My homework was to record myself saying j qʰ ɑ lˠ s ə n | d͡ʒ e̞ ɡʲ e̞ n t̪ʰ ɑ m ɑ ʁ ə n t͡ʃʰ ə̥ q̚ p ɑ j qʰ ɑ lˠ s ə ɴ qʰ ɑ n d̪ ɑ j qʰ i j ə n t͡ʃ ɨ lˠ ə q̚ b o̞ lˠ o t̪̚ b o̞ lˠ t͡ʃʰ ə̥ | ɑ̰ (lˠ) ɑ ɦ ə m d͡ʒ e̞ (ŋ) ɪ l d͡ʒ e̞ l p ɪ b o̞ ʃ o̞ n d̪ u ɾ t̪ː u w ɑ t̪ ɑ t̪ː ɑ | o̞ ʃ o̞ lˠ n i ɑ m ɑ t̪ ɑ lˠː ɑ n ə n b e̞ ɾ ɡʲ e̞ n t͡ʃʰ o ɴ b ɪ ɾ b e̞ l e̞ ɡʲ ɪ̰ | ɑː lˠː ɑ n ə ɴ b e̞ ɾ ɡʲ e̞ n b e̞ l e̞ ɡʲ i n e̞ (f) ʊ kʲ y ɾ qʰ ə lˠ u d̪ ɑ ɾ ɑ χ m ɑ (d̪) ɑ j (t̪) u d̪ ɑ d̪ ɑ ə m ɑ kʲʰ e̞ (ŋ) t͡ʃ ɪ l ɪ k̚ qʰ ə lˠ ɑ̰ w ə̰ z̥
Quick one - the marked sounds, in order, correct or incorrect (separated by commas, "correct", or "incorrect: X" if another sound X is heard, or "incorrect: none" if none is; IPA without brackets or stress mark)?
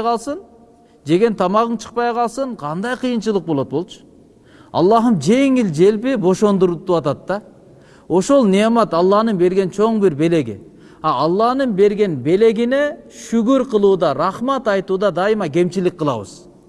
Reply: incorrect: lˠː, correct, incorrect: ʃ, incorrect: t̪, correct, incorrect: m